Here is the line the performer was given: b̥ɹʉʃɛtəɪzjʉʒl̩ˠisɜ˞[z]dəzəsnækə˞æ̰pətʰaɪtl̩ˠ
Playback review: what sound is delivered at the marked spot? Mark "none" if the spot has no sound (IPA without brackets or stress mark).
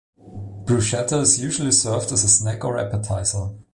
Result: v